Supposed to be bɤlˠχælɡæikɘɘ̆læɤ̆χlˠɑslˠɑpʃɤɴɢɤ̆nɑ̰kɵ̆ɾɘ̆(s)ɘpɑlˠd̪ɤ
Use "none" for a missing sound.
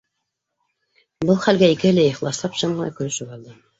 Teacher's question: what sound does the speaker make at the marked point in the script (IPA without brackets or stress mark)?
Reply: ʃ